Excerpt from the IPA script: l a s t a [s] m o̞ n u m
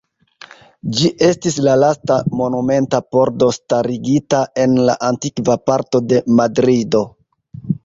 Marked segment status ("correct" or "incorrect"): incorrect